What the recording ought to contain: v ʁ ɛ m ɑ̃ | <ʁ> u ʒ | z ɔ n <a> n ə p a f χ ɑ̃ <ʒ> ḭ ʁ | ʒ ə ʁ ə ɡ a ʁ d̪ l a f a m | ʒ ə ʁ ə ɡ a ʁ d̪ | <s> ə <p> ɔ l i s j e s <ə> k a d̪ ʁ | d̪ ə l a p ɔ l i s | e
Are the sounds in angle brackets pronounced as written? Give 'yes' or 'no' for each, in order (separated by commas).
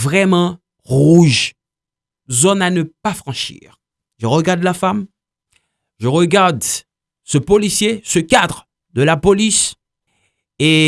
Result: yes, yes, no, yes, yes, yes